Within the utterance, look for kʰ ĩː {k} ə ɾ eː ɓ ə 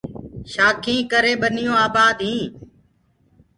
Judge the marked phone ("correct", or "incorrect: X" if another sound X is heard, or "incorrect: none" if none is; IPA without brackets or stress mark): correct